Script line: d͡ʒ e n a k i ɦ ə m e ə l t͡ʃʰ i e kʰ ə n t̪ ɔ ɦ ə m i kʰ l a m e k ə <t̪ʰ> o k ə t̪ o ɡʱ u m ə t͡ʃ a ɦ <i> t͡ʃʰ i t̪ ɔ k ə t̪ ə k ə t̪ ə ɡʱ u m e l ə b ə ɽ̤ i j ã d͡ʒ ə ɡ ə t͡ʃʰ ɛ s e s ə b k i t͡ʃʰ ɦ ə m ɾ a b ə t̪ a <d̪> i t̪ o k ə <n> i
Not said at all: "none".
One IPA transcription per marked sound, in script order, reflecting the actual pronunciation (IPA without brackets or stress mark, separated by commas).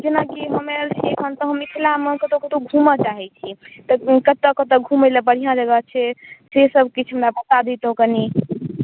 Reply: t̪, ɛ, d̪, n